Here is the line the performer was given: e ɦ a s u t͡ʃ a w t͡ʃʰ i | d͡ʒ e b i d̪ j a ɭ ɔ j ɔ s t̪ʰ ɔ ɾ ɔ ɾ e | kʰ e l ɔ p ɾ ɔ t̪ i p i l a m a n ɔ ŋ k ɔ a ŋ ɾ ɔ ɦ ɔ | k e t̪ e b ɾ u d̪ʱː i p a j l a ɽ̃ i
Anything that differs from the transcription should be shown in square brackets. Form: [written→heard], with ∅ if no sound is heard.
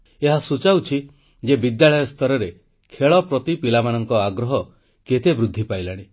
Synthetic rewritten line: e ɦ a s u t͡ʃ a w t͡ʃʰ i | d͡ʒ e b i d̪ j a ɭ ɔ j ɔ s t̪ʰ ɔ ɾ ɔ ɾ e | kʰ e [l→ɭ] ɔ p ɾ ɔ t̪ i p i l a m a n ɔ ŋ k ɔ a [ŋ→ɡ] ɾ ɔ ɦ ɔ | k e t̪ e b ɾ u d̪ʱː i p a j l a ɽ̃ i